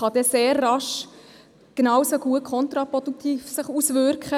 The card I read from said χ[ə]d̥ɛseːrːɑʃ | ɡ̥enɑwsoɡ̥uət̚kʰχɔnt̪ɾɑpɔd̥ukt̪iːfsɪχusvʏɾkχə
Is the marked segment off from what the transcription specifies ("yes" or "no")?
yes